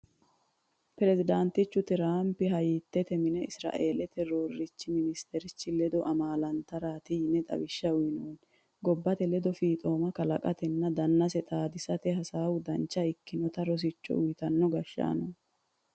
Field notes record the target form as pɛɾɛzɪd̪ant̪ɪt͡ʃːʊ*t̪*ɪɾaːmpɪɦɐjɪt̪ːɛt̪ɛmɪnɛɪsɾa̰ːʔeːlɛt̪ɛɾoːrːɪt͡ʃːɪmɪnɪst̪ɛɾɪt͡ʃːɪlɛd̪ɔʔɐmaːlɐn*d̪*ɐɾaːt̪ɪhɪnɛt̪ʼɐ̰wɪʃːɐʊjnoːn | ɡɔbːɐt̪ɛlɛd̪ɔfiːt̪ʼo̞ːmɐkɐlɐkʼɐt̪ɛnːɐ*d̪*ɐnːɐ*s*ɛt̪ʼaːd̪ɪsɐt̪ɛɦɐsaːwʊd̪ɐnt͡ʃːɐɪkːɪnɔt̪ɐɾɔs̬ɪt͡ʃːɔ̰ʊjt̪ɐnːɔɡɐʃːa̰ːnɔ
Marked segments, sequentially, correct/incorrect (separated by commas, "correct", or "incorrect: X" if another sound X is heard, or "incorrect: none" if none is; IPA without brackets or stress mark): correct, incorrect: t̪, correct, correct